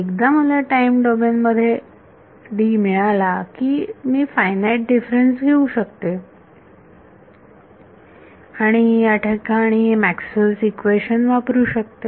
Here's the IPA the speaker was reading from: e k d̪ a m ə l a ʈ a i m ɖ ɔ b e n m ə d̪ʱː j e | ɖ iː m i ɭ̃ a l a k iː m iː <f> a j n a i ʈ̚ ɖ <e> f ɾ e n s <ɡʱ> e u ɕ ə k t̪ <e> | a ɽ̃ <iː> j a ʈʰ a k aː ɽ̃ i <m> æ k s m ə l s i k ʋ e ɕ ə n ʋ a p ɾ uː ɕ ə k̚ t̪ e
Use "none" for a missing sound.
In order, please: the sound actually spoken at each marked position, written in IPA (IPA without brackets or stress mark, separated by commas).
f, i, ɡʱ, e, i, m